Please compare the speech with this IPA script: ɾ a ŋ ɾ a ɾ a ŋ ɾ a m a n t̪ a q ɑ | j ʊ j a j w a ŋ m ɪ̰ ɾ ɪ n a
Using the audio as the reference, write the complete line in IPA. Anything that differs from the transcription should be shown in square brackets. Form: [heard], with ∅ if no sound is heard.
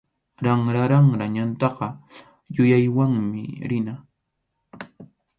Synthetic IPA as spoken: ɾ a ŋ ɾ a ɾ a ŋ ɾ a [ɲ] a n t̪ [ɑ] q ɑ | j ʊ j a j w a ŋ m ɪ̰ ɾ ɪ n a